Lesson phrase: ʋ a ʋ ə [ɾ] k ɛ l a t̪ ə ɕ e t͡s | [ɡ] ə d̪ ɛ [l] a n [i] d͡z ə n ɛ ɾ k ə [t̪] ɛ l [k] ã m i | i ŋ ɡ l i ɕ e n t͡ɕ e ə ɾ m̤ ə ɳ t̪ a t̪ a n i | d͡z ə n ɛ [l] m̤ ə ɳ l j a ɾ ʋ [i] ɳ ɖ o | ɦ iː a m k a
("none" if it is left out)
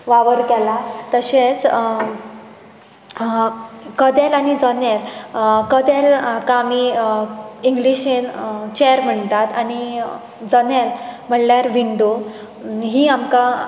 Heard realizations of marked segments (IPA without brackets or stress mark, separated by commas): ɾ, k, l, i, d̪, k, l, i